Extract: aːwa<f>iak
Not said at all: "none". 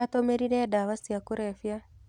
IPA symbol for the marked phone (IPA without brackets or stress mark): s